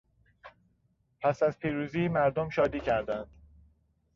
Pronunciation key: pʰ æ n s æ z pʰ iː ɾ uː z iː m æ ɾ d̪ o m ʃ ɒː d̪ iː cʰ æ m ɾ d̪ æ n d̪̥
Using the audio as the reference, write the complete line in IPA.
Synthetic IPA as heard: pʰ æ s æ z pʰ iː ɾ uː z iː m æ ɾ d̪ o m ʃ ɒː d̪ iː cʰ æ ɾ d̪ æ n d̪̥